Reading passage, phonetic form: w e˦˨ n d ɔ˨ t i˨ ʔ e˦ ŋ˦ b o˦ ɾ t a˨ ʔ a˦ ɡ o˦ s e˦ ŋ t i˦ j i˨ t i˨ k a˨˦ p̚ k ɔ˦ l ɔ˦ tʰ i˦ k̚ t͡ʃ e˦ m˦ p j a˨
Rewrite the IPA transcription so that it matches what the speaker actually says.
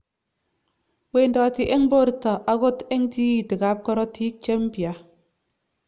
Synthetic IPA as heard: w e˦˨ n d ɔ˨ t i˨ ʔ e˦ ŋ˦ b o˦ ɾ t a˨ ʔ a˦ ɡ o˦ t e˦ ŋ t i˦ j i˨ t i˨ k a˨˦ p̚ k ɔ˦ ɾ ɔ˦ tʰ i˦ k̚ t͡ʃ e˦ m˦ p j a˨